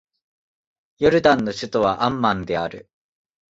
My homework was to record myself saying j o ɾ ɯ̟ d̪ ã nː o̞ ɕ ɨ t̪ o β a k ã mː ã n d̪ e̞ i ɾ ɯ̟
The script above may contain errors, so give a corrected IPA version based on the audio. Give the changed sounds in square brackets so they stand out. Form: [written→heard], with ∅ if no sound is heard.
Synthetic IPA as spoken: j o ɾ ɯ̟ d̪ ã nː o̞ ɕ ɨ t̪ o β a [k→ʔ] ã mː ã n d̪ e̞ [i→a] ɾ ɯ̟